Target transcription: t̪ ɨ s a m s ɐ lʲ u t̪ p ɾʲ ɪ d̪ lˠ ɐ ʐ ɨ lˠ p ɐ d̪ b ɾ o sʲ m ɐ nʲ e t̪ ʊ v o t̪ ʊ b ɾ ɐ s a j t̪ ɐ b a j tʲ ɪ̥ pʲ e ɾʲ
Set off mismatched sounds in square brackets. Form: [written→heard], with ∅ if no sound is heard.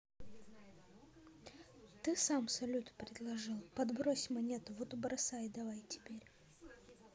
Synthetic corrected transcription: t̪ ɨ s a m s ɐ lʲ u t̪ p ɾʲ ɪ d̪ lˠ ɐ ʐ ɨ lˠ p ɐ d̪ b ɾ o sʲ m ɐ nʲ e t̪ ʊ v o t̪ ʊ b ɾ ɐ s a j [t̪→d̪] ɐ [b→v] a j tʲ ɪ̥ pʲ e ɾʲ